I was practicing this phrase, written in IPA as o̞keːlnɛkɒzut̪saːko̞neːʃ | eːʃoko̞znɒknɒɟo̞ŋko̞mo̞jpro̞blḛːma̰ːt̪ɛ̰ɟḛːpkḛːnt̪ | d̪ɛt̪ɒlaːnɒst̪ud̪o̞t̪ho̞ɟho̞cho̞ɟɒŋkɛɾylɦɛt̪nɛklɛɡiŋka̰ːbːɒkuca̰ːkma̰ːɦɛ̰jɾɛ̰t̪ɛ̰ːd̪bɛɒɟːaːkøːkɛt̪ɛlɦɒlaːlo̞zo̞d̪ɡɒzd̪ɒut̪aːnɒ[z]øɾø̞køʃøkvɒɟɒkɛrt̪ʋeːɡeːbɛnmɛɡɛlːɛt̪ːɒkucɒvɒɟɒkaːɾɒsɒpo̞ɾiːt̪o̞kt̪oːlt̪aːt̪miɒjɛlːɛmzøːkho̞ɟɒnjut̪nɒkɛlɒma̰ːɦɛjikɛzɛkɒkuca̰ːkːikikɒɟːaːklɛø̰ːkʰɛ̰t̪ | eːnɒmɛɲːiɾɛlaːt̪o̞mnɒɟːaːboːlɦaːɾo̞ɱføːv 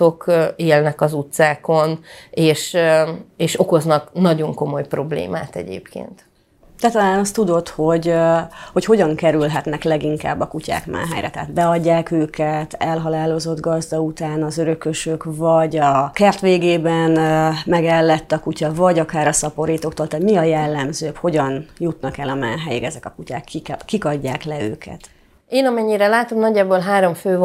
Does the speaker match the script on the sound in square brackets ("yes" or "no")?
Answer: yes